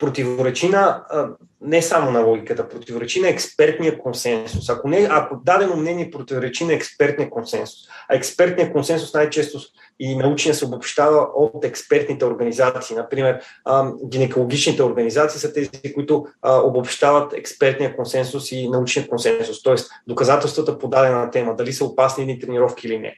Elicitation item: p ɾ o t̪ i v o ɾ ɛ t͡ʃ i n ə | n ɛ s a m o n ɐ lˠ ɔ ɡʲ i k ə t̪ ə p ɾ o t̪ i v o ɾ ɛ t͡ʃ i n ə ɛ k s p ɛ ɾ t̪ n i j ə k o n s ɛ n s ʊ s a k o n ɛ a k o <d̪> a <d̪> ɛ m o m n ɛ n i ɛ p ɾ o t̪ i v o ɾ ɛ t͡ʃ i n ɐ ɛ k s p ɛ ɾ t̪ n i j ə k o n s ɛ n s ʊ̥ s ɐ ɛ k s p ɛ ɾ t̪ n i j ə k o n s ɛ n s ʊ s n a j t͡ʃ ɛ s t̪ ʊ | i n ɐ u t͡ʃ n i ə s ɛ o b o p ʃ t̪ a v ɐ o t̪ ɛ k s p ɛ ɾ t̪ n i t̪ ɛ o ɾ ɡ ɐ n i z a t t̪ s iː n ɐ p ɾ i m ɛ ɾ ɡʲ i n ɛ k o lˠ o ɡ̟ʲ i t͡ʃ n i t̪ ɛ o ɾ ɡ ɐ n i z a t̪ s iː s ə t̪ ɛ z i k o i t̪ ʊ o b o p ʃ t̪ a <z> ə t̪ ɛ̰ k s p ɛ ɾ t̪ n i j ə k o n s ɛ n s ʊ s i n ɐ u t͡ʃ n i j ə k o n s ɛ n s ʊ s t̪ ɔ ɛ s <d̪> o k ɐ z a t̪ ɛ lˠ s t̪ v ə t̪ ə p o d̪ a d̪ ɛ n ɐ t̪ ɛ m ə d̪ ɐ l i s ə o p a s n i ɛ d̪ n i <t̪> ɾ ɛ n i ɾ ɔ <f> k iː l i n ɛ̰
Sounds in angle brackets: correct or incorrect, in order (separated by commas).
correct, correct, incorrect, correct, correct, correct